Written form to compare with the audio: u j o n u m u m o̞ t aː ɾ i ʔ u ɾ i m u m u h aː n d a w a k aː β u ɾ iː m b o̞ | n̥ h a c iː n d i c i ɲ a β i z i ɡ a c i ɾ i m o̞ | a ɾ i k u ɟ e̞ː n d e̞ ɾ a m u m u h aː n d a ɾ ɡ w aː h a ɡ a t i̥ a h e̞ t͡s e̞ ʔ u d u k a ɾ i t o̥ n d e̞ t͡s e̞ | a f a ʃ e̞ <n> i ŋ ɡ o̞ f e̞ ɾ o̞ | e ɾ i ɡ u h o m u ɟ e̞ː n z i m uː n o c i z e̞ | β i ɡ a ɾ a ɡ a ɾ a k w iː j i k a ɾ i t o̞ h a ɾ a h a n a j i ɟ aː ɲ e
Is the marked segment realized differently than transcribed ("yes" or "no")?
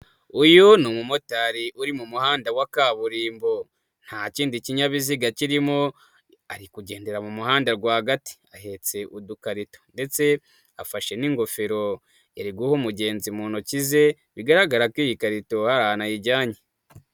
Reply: no